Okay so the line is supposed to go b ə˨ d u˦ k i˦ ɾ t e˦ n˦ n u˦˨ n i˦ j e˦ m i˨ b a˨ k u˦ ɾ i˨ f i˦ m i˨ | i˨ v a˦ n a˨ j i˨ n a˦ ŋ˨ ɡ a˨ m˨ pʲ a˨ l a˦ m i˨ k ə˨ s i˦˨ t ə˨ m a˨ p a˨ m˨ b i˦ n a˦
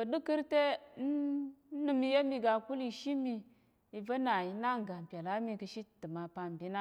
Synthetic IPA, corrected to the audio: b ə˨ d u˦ k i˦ ɾ t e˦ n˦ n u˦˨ m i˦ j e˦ m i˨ ɡ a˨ k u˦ l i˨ ʃ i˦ m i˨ | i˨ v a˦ n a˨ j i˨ n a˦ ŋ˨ ɡ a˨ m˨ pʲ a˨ l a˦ m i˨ k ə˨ ʃ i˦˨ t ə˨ m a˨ p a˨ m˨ b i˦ n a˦